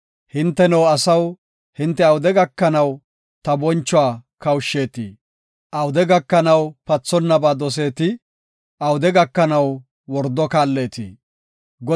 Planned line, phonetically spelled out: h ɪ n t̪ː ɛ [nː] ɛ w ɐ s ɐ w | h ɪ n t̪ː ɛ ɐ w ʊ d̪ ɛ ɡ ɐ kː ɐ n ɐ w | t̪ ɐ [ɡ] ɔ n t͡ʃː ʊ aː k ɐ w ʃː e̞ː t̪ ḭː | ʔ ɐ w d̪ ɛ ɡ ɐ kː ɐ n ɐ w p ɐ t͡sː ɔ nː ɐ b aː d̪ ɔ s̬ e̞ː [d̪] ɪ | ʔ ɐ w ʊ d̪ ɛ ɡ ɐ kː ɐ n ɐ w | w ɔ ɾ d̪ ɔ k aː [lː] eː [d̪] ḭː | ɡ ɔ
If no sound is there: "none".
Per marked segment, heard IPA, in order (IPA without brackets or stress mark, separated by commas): n, b, t̪, lː, t̪